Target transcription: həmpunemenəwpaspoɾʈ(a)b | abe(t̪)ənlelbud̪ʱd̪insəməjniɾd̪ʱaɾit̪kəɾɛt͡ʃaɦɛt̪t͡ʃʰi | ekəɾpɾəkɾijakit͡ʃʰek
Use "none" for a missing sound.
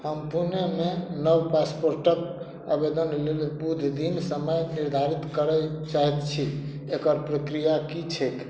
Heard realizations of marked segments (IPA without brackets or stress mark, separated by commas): ə, d̪